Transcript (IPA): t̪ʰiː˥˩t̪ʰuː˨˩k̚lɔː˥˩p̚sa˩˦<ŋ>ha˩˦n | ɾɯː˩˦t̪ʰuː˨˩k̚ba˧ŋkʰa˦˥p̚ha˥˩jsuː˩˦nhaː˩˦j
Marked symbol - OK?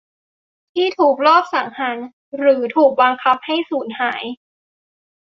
yes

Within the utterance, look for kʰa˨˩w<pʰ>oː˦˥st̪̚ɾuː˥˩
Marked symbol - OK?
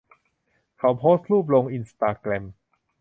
yes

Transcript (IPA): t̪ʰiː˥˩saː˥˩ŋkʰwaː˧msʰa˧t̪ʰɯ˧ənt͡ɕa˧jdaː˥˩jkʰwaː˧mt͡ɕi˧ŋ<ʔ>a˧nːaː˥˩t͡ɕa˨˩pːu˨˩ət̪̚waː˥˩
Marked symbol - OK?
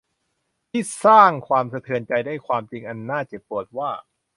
yes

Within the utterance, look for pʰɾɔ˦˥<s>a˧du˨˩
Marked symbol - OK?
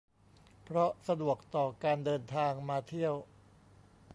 yes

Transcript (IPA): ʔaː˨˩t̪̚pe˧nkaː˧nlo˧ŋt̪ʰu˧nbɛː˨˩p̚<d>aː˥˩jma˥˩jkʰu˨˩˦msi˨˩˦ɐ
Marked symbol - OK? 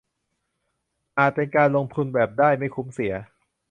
yes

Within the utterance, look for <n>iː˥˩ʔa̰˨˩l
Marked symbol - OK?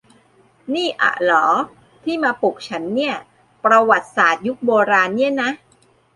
yes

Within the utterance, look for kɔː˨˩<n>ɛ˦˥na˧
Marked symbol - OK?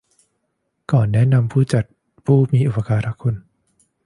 no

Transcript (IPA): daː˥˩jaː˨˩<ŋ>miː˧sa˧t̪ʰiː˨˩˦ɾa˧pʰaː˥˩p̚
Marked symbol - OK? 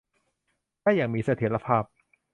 yes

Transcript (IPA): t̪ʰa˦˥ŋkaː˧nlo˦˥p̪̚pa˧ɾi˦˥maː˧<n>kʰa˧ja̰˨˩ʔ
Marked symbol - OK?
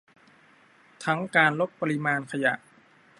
yes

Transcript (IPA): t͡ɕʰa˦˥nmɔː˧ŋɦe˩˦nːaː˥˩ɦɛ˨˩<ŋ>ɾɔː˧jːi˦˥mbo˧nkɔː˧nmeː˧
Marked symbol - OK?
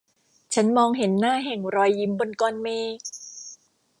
yes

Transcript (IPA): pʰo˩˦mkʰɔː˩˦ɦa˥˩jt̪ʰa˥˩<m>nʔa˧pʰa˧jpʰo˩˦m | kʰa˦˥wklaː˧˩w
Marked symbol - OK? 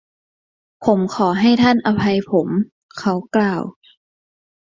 no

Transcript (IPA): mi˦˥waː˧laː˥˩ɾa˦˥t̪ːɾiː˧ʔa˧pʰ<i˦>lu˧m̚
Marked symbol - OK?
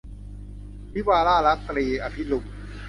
yes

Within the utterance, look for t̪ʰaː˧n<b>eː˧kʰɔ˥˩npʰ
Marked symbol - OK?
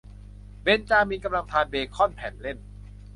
yes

